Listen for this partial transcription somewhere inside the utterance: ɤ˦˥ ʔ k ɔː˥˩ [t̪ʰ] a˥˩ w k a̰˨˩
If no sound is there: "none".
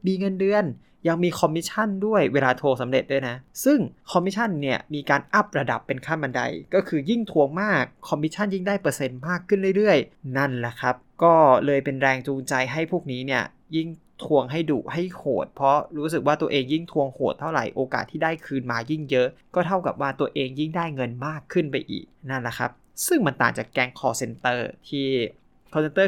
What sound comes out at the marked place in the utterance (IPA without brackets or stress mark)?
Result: t̪ʰ